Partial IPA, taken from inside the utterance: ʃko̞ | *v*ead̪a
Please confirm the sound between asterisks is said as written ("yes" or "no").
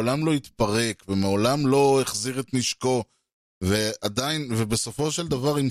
yes